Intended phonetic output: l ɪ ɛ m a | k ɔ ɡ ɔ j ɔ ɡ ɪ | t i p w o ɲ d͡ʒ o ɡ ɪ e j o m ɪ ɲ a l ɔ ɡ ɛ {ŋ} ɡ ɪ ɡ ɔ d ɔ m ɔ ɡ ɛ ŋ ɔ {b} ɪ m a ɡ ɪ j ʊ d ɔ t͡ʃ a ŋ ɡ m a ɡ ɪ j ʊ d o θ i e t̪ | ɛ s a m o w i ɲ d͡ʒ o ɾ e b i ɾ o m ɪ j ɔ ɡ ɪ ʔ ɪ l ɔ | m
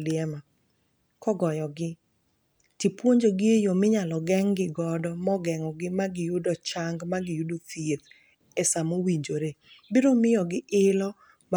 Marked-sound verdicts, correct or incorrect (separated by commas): correct, incorrect